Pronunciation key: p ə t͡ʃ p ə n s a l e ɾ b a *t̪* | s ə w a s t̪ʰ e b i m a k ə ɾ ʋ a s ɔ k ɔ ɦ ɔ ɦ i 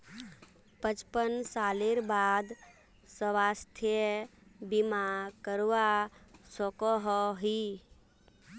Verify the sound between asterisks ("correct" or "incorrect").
incorrect